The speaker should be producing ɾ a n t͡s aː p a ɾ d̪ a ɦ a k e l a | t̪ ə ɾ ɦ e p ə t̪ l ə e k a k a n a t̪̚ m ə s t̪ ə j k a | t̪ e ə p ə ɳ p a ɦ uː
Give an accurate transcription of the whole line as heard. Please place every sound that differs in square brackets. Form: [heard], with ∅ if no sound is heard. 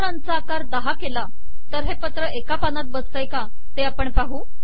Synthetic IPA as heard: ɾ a n t͡s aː [k] a ɾ d̪ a ɦ a k e l a | t̪ ə ɾ ɦ e p ə t̪ [ɾ] ə e k a [p] a n a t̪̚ [b] ə s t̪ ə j k a | t̪ e [a] p ə ɳ p a ɦ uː